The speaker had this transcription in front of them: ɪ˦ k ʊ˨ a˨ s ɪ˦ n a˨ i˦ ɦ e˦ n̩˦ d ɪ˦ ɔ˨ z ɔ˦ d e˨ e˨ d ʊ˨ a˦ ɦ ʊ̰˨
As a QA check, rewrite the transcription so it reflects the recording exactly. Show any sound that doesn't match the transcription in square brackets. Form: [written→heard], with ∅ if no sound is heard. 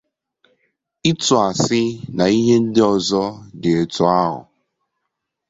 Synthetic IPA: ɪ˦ [k→t] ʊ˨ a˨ s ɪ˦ n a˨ i˦ ɦ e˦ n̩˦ d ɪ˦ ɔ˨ z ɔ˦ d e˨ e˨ [d→t] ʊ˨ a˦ ɦ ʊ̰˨